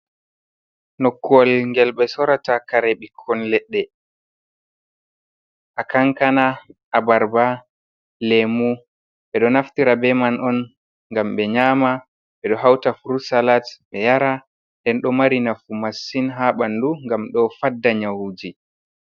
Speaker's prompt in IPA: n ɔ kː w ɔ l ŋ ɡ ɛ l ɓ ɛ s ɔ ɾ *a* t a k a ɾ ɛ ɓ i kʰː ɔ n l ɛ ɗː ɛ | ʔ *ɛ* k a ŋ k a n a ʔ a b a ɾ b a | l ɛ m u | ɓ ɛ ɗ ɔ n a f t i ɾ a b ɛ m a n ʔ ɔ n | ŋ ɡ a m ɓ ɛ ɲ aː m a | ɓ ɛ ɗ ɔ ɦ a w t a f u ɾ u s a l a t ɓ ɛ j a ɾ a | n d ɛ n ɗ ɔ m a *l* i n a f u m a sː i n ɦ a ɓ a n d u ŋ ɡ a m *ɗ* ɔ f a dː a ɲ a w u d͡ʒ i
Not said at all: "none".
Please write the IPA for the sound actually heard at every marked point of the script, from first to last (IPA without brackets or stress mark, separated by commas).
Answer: a, a, ɾ, ɗ